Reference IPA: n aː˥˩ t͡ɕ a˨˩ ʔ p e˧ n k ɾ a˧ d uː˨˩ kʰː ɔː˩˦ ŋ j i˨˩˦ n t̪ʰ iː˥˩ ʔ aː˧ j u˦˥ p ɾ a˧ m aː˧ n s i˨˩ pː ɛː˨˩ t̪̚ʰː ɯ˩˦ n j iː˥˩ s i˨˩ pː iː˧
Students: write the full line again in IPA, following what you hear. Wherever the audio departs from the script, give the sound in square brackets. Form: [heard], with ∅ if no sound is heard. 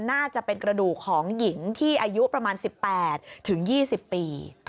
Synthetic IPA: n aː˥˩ t͡ɕ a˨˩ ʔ p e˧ n k ɾ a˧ d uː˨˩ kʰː ɔː˩˦ ŋ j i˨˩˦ [ŋ] t̪ʰ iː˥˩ ʔ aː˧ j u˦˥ p ɾ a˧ m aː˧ n s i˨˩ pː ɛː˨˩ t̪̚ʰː ɯ˩˦ [ŋ] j iː˥˩ s i˨˩ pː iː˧